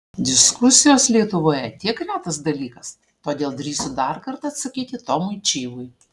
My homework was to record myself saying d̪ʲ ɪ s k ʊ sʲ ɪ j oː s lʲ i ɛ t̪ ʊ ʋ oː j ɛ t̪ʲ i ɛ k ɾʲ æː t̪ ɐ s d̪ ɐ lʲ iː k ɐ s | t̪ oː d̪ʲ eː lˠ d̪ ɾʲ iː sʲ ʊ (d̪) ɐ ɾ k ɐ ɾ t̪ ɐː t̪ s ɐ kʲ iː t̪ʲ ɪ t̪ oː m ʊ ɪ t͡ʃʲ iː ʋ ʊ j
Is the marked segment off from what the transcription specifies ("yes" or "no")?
no